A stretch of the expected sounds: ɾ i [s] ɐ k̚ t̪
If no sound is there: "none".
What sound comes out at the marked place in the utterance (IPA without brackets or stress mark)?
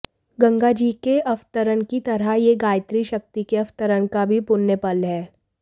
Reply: ʃ